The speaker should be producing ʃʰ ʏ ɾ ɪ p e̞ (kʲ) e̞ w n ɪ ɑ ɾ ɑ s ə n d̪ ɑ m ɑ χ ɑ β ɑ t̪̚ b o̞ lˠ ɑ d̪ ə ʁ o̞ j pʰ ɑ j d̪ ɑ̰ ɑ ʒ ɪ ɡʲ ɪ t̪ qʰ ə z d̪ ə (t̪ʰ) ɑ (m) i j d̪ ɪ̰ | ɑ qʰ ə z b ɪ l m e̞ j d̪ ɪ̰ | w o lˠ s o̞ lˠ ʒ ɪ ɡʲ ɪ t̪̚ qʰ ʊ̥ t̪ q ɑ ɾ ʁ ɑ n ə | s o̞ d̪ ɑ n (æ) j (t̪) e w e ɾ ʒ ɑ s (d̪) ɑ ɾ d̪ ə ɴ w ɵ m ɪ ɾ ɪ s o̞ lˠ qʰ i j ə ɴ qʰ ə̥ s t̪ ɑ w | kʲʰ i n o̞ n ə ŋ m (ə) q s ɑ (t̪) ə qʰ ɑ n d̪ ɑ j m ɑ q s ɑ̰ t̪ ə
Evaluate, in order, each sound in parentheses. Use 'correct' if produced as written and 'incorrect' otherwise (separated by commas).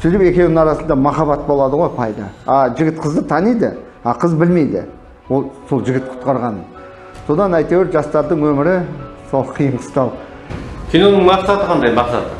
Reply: correct, correct, incorrect, correct, correct, incorrect, incorrect, correct